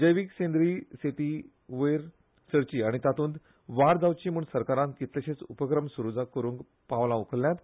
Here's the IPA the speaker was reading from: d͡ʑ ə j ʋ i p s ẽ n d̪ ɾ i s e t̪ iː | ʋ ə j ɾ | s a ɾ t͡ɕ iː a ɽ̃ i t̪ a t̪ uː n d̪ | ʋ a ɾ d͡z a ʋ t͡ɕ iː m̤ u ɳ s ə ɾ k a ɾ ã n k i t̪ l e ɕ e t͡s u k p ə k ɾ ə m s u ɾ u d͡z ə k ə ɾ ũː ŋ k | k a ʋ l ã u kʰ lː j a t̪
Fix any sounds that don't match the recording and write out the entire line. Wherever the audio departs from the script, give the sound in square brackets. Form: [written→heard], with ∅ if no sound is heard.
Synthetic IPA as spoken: d͡ʑ ə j ʋ i [p→k] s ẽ n d̪ ɾ i s e t̪ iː | ʋ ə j ɾ | s [a→ə] ɾ t͡ɕ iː a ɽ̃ i t̪ a t̪ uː n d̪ | ʋ a ɾ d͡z a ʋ t͡ɕ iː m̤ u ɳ s ə ɾ k a ɾ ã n k i t̪ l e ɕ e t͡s u [k→∅] p ə k ɾ ə m s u ɾ u d͡z [ə→a] k ə ɾ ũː ŋ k | [k→p] a ʋ l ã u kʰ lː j a t̪